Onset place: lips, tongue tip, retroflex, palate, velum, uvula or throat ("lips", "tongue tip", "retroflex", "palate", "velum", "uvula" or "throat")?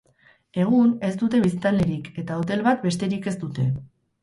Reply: velum